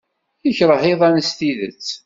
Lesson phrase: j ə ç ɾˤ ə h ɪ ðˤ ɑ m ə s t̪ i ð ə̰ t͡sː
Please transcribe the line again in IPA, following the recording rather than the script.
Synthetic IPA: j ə ç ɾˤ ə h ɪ ðˤ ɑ n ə s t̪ i ð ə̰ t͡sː